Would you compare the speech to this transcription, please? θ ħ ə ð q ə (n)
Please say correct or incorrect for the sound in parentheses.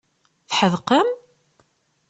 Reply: incorrect